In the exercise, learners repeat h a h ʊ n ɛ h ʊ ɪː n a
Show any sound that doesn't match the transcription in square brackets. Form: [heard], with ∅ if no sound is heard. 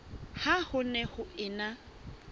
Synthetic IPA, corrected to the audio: h a h ʊ n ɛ h ʊ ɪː n a